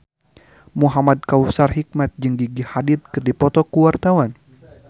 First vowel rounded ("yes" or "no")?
yes